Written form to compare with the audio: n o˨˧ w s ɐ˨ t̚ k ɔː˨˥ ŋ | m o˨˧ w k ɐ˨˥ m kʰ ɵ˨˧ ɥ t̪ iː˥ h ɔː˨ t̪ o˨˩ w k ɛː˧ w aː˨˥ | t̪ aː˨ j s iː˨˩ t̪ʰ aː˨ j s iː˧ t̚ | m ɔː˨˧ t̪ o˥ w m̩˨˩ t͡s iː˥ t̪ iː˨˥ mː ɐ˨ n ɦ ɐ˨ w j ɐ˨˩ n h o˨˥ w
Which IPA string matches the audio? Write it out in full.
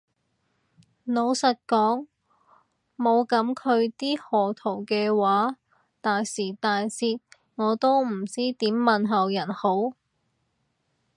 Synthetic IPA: n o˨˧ w s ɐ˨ t̚ k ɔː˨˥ ŋ | m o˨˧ w k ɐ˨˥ m kʰ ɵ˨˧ ɥ t̪ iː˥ h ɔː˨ t̪ʰ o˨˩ w k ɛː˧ w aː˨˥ | t̪ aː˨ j s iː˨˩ t̪ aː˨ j s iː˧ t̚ | ŋ ɔː˨˧ t̪ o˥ w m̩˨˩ t͡s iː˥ t̪ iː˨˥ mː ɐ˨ n ɦ ɐ˨ w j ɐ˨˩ n h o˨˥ w

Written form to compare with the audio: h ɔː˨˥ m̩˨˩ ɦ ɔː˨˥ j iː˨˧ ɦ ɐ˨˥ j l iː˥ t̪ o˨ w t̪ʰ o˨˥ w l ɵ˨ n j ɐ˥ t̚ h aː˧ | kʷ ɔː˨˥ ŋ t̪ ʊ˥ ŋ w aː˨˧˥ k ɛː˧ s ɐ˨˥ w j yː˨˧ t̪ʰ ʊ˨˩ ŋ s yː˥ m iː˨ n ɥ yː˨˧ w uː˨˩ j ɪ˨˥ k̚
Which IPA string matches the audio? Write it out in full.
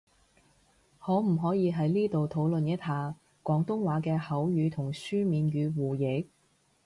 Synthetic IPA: h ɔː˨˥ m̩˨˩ ɦ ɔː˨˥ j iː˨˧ ɦ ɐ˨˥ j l iː˥ t̪ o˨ w t̪ʰ o˨˥ w l ɵ˨ n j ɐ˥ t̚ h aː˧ | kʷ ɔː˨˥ ŋ t̪ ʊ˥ ŋ w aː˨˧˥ k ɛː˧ h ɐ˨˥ w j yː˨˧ t̪ʰ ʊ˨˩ ŋ s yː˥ m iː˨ n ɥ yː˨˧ w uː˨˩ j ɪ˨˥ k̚

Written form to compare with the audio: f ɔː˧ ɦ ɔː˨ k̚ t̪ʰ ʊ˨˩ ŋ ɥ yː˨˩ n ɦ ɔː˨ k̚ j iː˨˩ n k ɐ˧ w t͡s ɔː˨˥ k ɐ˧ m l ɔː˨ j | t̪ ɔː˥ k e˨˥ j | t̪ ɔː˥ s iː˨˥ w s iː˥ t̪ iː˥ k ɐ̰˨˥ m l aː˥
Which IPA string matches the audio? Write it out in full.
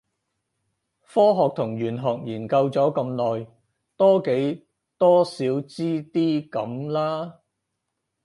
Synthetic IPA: f ɔː˥ ɦ ɔː˨ k̚ t̪ʰ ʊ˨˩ ŋ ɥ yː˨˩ n ɦ ɔː˨ k̚ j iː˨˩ n k ɐ˧ w t͡s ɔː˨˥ k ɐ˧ m l ɔː˨ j | t̪ ɔː˥ k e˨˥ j | t̪ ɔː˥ s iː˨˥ w t͡s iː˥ t̪ iː˥ k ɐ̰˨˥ m l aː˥

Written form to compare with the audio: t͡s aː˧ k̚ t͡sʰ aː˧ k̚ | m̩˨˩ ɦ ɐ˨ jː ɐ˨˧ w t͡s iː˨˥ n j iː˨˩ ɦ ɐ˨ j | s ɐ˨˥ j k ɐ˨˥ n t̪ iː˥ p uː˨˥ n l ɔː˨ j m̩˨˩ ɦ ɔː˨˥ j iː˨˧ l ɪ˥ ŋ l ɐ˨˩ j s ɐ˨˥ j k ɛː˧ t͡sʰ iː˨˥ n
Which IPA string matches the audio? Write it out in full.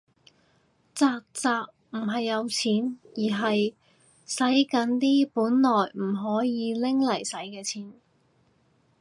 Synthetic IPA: t͡s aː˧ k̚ t͡s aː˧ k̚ | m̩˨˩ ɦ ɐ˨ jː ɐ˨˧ w t͡sʰ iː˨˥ n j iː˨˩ ɦ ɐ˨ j | s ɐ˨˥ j k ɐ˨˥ n t̪ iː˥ p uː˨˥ n l ɔː˨ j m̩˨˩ ɦ ɔː˨˥ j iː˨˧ l ɪ˥ ŋ l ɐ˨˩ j s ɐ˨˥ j k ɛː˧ t͡sʰ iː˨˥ n

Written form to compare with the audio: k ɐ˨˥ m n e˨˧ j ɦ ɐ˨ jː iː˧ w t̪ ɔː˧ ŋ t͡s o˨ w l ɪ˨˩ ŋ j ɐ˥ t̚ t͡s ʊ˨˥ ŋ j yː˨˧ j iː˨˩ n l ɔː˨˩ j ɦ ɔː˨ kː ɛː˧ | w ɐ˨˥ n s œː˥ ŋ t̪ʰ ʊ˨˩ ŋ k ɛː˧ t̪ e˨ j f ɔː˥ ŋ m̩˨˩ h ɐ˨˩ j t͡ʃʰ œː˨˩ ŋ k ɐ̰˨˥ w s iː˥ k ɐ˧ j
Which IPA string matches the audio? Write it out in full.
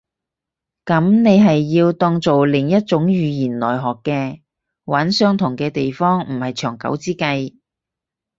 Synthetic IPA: k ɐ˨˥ m n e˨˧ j ɦ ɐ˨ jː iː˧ w t̪ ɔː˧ ŋ t͡s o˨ w l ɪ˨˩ ŋ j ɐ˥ t̚ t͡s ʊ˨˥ ŋ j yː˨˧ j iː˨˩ n l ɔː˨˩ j ɦ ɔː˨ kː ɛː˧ | w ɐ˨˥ n s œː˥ ŋ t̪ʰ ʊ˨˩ ŋ k ɛː˧ t̪ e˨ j f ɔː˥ ŋ m̩˨˩ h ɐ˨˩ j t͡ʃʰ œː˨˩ ŋ k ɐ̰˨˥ w t͡s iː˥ k ɐ˧ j

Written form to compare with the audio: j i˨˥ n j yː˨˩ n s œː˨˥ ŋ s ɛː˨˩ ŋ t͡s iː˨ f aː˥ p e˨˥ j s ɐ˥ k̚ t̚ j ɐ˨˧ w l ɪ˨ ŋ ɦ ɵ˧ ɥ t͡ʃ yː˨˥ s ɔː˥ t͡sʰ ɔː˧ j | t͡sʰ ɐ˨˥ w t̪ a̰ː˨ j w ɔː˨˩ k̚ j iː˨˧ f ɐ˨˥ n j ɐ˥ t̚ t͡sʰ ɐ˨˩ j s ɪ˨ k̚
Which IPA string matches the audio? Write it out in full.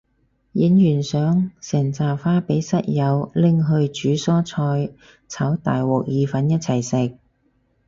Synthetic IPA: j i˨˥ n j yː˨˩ n s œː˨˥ ŋ s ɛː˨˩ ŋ t͡s aː˨ f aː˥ p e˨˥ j s ɐ˥ t̚ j ɐ˨˧ w l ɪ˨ ŋ ɦ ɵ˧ ɥ t͡ʃ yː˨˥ s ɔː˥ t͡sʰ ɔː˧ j | t͡sʰ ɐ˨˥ w t̪ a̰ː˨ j w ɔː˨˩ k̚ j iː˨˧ f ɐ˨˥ n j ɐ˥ t̚ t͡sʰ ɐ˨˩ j s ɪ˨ k̚

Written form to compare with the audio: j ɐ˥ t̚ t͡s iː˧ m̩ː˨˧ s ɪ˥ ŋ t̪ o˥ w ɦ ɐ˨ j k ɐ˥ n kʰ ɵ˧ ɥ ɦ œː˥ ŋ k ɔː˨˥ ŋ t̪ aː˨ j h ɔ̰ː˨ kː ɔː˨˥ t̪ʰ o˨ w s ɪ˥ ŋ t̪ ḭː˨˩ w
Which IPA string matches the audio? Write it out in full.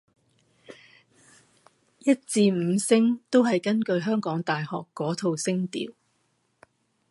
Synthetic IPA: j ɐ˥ t̚ t͡s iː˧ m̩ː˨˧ s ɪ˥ ŋ t̪ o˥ w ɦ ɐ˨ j k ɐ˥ n k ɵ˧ ɥ ɦ œː˥ ŋ k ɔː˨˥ ŋ t̪ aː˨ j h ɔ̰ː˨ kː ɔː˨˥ t̪ʰ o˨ w s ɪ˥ ŋ t̪ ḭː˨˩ w

